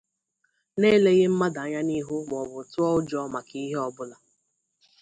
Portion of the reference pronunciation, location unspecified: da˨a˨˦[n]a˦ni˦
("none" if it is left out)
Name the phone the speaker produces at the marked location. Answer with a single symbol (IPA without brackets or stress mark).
ɲ